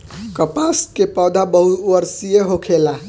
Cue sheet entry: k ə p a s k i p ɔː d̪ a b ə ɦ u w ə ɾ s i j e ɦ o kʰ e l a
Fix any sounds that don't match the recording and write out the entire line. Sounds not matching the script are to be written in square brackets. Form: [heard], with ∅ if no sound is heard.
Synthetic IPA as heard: k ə p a s k [e] p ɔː d̪ a b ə ɦ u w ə ɾ s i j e ɦ o kʰ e l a